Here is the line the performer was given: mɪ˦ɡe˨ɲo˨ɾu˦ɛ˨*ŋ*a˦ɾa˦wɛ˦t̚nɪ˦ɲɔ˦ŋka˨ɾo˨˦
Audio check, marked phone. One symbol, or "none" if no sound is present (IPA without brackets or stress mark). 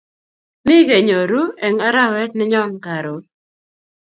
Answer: ŋ